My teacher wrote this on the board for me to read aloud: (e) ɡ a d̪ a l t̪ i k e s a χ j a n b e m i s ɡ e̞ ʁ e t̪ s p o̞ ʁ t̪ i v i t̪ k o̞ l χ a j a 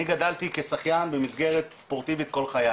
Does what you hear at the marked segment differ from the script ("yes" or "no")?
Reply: yes